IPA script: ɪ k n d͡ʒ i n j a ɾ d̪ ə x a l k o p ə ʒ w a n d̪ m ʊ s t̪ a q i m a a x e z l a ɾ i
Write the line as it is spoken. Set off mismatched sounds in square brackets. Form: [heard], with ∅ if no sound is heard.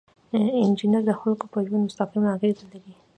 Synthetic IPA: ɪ [∅] n d͡ʒ i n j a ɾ d̪ ə x a l k o p ə ʒ w a n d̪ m ʊ s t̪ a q i m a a [ɣ] e z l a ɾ i